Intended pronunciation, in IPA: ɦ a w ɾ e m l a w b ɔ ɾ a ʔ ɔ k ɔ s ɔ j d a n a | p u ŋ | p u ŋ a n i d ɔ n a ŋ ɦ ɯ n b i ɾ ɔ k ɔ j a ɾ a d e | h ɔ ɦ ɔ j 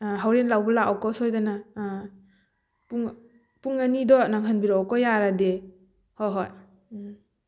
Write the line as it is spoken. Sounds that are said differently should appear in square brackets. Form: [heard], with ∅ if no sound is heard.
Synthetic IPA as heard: ɦ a w ɾ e [n] l a w b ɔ [l] a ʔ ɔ k ɔ s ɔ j d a n a | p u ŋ | p u ŋ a n i d ɔ n a ŋ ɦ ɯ n b i ɾ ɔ k ɔ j a ɾ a d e | h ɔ ɦ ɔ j